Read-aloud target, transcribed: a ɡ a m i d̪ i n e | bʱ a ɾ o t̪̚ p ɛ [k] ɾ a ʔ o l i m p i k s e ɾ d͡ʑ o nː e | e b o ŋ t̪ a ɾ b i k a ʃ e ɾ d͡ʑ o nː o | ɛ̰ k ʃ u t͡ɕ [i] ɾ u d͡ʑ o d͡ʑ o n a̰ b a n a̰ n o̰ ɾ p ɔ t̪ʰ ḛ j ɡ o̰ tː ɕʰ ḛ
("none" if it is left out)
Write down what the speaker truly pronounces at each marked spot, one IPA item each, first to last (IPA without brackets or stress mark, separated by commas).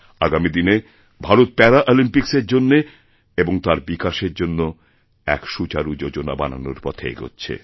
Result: none, a